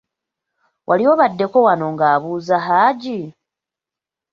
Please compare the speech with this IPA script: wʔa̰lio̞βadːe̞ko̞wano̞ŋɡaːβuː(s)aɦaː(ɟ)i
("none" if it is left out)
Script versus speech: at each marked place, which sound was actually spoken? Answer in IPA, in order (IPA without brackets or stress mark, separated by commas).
z, ɟ